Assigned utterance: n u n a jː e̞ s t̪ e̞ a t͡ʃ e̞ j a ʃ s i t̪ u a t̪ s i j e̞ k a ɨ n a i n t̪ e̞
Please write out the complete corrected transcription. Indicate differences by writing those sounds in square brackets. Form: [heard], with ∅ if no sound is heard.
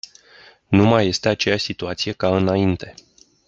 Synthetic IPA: n u [m] a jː e̞ s t̪ e̞ a t͡ʃ e̞ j a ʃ s i t̪ u a t̪ s i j e̞ k a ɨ n a i n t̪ e̞